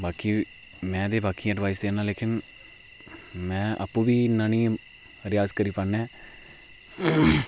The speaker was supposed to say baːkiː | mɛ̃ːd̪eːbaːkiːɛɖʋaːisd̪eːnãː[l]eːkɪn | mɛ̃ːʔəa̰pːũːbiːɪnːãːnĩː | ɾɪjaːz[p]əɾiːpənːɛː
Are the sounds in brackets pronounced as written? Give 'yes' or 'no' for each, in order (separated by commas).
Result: yes, no